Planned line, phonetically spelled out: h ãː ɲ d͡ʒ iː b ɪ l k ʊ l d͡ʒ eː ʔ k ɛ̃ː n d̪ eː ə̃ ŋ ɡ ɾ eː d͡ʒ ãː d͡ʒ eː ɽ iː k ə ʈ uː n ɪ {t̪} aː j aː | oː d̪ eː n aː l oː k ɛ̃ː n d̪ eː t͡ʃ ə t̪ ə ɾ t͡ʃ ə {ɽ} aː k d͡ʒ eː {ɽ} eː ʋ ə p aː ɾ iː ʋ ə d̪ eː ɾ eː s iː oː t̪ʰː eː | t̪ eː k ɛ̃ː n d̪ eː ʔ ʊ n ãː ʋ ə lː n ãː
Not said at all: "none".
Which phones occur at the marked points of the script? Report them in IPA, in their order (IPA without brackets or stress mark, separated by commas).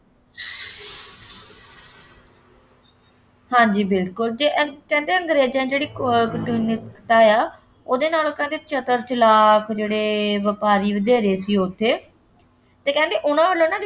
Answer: t̪, l, ɽ